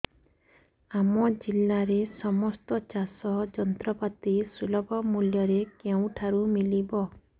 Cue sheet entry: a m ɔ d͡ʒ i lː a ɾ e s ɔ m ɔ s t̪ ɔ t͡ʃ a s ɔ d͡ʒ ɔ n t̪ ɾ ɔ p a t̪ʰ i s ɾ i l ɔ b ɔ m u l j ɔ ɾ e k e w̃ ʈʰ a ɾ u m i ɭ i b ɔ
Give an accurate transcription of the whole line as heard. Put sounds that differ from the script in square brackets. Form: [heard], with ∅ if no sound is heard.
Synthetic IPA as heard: a m ɔ d͡ʒ i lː a ɾ e s ɔ m ɔ s t̪ ɔ t͡ʃ a s ɔ d͡ʒ ɔ n t̪ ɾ ɔ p a [t̪] i s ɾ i l ɔ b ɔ m u l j ɔ ɾ e k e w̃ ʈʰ a ɾ u m i [l] i b ɔ